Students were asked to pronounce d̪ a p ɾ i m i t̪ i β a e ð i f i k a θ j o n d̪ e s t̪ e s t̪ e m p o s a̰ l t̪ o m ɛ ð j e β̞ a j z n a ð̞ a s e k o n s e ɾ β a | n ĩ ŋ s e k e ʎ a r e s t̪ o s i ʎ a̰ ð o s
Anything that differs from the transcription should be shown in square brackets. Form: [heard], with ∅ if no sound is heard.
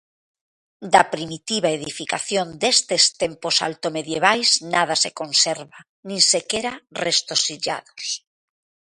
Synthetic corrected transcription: d̪ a p ɾ i m i t̪ i β a e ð i f i k a θ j o n d̪ e s t̪ e s t̪ e m p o s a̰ l t̪ o m [e] ð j e β̞ a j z n a ð̞ a s e k o n s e ɾ β a | n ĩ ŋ s e k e [ɾ] a r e s t̪ o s i ʎ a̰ ð o s